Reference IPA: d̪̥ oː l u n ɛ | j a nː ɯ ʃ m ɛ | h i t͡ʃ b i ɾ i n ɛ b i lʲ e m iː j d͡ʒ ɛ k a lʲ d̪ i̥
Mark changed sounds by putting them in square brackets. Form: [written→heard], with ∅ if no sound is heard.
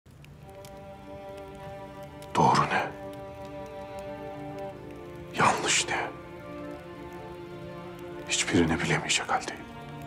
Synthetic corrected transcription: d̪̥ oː [l→ɾ] u n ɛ | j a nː ɯ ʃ [m→n] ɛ | h i t͡ʃ b i ɾ i n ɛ b i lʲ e m [iː→i] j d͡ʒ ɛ k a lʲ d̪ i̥